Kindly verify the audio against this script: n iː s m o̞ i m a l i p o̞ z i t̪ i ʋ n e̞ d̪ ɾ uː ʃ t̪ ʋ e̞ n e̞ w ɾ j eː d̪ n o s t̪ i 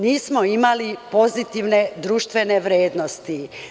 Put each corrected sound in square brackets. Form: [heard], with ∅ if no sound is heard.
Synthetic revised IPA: n iː s m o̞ i m a l i p o̞ z i t̪ i ʋ n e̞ d̪ ɾ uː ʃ t̪ ʋ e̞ n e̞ [ʋ] ɾ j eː d̪ n o s t̪ i